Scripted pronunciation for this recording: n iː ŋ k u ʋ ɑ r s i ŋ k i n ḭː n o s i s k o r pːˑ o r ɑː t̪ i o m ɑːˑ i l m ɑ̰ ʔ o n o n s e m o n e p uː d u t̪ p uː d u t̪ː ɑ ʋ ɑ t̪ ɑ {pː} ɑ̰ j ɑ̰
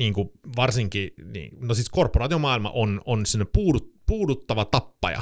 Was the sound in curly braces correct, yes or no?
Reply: yes